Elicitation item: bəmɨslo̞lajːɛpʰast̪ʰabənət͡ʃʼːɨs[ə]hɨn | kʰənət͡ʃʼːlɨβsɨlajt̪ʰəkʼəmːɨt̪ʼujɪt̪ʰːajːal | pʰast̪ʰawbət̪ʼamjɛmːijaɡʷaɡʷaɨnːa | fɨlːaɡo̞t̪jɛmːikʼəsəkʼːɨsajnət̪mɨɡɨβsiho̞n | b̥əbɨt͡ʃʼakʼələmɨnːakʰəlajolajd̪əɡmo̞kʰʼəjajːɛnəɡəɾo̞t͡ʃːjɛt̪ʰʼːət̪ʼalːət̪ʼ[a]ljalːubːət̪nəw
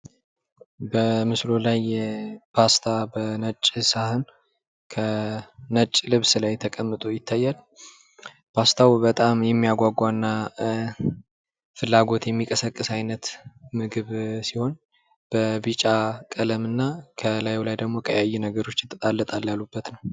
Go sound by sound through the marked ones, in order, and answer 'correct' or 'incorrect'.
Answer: incorrect, correct

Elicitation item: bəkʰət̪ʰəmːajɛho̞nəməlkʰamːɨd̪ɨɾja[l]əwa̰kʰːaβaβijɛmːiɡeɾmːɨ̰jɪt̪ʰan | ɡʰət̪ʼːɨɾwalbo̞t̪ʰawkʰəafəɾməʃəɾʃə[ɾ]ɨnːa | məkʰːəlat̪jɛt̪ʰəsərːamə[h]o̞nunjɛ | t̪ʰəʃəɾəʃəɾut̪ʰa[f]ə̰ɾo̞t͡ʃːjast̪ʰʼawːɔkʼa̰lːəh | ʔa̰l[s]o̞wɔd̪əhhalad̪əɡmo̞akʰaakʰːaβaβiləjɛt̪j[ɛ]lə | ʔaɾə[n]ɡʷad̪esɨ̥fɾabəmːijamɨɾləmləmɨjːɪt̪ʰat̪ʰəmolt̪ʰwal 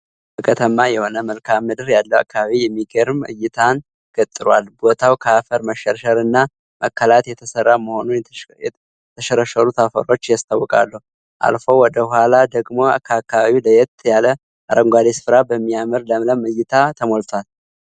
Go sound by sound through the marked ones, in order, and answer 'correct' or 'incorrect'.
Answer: incorrect, correct, correct, correct, incorrect, incorrect, incorrect

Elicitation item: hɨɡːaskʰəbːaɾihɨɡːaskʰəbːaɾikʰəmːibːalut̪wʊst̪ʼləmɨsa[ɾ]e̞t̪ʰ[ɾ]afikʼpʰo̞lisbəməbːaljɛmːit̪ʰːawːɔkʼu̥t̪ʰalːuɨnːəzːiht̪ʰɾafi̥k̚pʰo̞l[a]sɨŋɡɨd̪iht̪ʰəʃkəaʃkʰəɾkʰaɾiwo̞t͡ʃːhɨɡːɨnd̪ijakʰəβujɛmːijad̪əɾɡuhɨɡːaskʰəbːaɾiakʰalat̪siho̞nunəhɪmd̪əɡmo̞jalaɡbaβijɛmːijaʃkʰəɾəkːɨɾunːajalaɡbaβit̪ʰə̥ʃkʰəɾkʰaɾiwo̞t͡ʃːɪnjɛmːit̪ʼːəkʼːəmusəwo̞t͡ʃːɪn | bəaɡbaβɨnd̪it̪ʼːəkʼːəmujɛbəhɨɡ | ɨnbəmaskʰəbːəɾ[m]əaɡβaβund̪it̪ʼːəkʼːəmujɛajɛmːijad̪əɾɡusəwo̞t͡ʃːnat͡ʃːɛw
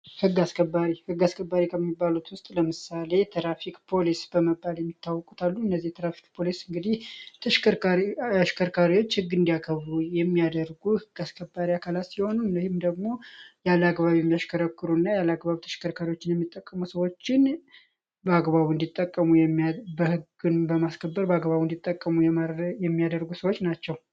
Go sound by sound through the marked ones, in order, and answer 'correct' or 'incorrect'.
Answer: incorrect, correct, incorrect, incorrect

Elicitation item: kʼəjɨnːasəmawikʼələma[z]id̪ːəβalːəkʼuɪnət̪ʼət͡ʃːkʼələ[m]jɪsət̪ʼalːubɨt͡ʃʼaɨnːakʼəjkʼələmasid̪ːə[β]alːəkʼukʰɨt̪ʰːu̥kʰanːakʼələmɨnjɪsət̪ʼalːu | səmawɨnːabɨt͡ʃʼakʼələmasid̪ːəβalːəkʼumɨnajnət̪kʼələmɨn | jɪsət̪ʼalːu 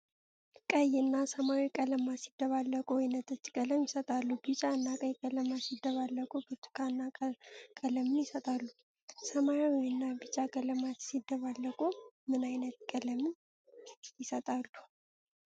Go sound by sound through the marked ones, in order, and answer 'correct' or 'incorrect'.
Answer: incorrect, correct, correct

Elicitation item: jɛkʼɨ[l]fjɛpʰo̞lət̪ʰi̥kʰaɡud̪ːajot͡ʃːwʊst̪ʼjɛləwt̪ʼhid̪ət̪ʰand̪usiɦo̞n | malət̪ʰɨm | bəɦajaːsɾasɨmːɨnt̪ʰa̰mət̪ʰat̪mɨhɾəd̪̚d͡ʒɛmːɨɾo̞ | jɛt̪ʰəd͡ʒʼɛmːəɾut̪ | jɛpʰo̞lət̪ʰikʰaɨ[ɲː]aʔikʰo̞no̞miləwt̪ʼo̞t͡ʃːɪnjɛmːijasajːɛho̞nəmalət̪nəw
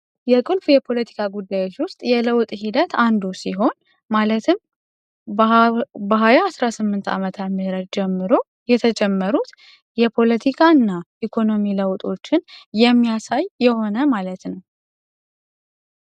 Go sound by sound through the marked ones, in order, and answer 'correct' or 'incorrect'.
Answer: correct, incorrect

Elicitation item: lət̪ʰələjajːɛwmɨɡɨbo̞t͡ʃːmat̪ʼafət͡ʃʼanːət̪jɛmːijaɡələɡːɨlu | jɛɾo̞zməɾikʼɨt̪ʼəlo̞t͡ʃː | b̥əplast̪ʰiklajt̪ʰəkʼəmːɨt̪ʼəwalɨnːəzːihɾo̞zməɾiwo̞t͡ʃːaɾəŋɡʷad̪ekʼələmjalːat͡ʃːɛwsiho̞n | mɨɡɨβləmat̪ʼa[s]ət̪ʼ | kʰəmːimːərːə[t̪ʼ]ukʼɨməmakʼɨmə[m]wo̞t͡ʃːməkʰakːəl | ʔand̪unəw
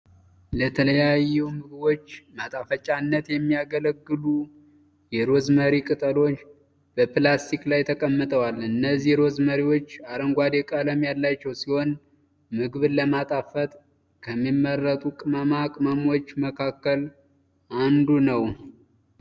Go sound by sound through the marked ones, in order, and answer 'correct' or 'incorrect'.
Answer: incorrect, correct, correct

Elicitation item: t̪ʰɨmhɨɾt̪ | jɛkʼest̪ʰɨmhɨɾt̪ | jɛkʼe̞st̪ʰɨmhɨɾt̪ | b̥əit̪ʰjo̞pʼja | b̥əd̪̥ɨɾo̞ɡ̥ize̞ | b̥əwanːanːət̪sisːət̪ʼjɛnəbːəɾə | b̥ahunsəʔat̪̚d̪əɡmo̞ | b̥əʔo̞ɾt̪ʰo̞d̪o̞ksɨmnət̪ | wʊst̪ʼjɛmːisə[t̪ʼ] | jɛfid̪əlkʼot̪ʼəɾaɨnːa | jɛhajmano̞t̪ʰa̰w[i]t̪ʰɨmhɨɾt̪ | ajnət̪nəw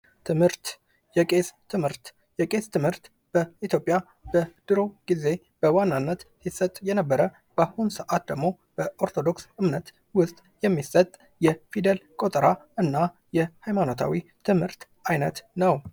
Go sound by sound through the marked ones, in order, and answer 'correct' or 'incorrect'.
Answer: correct, correct

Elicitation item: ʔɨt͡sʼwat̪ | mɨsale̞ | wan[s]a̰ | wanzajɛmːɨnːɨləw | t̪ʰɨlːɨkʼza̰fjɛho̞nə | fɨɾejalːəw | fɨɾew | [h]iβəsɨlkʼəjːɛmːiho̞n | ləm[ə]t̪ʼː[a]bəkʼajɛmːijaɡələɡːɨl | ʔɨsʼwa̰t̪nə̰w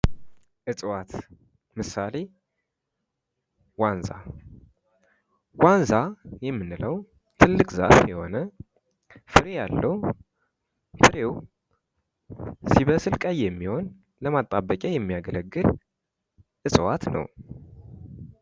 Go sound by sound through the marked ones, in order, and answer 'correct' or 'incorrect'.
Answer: incorrect, incorrect, incorrect, correct

